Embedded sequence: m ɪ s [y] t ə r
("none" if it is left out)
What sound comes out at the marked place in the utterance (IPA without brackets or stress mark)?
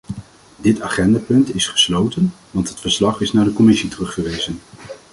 i